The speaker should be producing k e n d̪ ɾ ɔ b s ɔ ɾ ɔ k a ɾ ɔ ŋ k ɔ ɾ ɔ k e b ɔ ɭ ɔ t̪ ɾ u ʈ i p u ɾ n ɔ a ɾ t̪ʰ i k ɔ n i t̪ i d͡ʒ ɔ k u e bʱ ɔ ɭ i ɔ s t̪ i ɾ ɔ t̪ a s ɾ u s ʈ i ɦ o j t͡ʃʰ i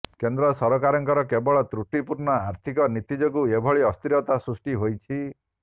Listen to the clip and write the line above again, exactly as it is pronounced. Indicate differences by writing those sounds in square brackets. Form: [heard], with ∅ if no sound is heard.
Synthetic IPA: k e n d̪ ɾ ɔ [∅] s ɔ ɾ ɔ k a ɾ ɔ ŋ k ɔ ɾ ɔ k e b ɔ ɭ ɔ t̪ ɾ u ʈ i p u ɾ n ɔ a ɾ t̪ʰ i k ɔ n i t̪ i d͡ʒ ɔ k u e bʱ ɔ ɭ i ɔ s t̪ i ɾ ɔ t̪ a s ɾ u s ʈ i ɦ o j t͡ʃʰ i